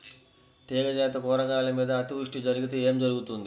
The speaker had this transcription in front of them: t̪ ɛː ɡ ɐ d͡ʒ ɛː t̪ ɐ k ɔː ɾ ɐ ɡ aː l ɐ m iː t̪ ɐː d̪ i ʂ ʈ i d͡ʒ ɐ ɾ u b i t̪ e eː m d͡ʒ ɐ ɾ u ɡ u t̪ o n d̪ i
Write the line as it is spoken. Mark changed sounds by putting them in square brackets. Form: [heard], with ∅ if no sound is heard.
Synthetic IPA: t̪ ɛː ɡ ɐ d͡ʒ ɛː t̪ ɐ k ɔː ɾ ɐ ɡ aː l ɐ m iː [d̪] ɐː [t̪] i ʂ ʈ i d͡ʒ ɐ ɾ u [ɡ] i t̪ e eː m d͡ʒ ɐ ɾ u ɡ u t̪ [u] n d̪ i

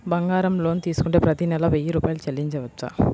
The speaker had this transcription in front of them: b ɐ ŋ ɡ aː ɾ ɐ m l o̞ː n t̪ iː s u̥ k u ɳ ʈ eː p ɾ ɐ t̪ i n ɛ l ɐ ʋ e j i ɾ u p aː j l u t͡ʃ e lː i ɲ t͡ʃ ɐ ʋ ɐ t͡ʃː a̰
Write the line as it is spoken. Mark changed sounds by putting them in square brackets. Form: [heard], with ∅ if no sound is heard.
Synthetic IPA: b ɐ ŋ ɡ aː ɾ ɐ m l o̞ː n t̪ iː s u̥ k u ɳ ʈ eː p ɾ ɐ t̪ i n ɛ l ɐ ʋ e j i ɾ [uː] p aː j l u t͡ʃ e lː i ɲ t͡ʃ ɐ ʋ ɐ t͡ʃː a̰

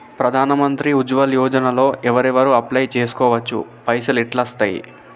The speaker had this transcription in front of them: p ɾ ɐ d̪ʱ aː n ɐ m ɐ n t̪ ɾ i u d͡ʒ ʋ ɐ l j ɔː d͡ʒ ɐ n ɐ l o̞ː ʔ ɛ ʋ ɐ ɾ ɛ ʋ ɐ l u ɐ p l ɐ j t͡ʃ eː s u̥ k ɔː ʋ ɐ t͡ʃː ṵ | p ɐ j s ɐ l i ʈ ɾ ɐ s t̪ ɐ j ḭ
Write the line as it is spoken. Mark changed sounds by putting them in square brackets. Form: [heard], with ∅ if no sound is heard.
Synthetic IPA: p ɾ ɐ d̪ʱ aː n ɐ m ɐ n t̪ ɾ i u d͡ʒ ʋ ɐ l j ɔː d͡ʒ ɐ n ɐ l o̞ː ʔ ɛ ʋ ɐ ɾ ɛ ʋ ɐ [ɾ] u ɐ p l ɐ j t͡ʃ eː s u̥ k ɔː ʋ ɐ t͡ʃː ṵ | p ɐ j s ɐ l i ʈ [l] ɐ s t̪ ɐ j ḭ

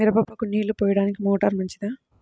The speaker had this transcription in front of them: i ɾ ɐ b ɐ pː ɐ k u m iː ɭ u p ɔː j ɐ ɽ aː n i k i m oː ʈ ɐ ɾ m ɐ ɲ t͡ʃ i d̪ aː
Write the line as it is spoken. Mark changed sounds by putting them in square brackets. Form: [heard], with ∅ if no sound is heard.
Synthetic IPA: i ɾ ɐ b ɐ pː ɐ k u [n] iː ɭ u p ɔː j ɐ ɽ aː n i k i m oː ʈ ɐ ɾ m ɐ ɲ t͡ʃ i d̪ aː

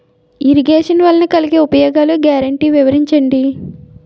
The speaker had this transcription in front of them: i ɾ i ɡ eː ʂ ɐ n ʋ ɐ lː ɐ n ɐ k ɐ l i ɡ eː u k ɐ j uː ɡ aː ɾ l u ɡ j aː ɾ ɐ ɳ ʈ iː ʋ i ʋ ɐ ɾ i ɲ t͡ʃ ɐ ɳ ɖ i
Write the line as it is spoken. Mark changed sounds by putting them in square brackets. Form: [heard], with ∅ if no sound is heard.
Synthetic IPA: i ɾ i ɡ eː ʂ ɐ n ʋ ɐ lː ɐ n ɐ k ɐ l i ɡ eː u [p] ɐ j [ɔː] ɡ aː [∅] l u ɡ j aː ɾ ɐ ɳ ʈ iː ʋ i ʋ ɐ ɾ i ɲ t͡ʃ ɐ ɳ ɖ i

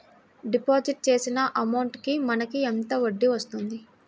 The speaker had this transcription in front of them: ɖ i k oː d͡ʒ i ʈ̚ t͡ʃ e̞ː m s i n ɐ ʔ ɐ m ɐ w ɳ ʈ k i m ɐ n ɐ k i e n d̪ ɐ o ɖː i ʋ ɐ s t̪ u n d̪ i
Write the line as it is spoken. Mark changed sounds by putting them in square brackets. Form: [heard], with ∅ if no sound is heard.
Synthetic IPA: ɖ i [p] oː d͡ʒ i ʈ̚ t͡ʃ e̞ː [∅] s i n ɐ ʔ ɐ m ɐ w ɳ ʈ k i m ɐ n ɐ k i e n [t̪] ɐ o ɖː i ʋ ɐ s t̪ u n d̪ i

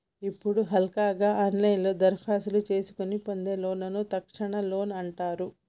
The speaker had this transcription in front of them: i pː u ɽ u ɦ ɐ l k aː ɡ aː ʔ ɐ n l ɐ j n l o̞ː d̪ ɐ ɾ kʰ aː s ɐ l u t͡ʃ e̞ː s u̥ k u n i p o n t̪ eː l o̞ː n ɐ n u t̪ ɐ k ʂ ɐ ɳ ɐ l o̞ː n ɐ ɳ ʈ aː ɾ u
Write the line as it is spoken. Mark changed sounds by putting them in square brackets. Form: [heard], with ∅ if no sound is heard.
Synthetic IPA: i pː u ɽ u ɦ ɐ l k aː ɡ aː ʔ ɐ n l ɐ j n l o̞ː d̪ ɐ ɾ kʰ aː s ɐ l u t͡ʃ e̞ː s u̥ k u n i p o n [d̪] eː l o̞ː n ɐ n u t̪ ɐ k ʂ ɐ ɳ ɐ l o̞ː n ɐ ɳ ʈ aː ɾ u

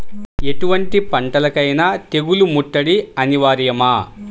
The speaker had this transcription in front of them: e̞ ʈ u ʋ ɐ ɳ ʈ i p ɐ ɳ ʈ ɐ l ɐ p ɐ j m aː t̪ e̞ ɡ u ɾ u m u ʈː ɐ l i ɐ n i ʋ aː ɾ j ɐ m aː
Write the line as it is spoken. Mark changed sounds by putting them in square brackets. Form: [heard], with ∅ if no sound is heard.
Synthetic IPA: e̞ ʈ u ʋ ɐ ɳ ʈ i p ɐ ɳ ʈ ɐ l ɐ [k] ɐ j [n] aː t̪ e̞ ɡ u [l] u m u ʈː ɐ [ɽ] i ɐ n i ʋ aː ɾ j ɐ m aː

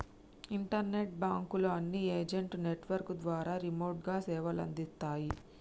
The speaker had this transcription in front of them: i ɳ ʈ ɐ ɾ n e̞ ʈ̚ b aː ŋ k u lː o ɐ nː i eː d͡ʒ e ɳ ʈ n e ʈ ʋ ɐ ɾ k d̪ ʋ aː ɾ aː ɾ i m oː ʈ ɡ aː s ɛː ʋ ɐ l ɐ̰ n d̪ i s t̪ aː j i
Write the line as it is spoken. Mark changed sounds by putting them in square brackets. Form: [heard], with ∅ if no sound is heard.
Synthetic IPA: i ɳ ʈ ɐ ɾ n e̞ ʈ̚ b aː ŋ k u [l] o ɐ nː i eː d͡ʒ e ɳ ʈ n e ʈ ʋ ɐ ɾ k d̪ ʋ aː ɾ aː ɾ i m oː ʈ ɡ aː s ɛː ʋ ɐ l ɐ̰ n d̪ i s t̪ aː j i

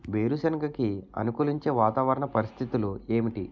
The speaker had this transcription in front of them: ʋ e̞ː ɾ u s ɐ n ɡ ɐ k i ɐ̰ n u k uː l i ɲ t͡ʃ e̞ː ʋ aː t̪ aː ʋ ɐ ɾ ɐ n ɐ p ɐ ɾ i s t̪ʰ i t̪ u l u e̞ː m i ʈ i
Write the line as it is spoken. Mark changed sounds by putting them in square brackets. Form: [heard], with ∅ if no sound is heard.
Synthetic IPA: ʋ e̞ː ɾ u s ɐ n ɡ ɐ k i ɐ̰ n u k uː l i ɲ t͡ʃ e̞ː ʋ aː t̪ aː ʋ ɐ ɾ ɐ [ɳ] ɐ p ɐ ɾ i s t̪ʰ i t̪ u l u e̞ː m i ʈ i

